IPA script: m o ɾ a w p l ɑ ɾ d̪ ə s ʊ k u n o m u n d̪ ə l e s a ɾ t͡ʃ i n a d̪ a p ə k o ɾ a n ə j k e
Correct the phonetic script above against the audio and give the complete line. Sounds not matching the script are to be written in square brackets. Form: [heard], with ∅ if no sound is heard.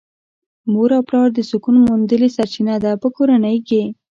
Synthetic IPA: m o ɾ a w p l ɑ ɾ d̪ ə s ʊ k u n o m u n d̪ ə l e s a ɾ t͡ʃ i n a d̪ a p ə k o ɾ a n ə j k e